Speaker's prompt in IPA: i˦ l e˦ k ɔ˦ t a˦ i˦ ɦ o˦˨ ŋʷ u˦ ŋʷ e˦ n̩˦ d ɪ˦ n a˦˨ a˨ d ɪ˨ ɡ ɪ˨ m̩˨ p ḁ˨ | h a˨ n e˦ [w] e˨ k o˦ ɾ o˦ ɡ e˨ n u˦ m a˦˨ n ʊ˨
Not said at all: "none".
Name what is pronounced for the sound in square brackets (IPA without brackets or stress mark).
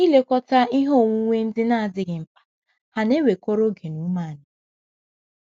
w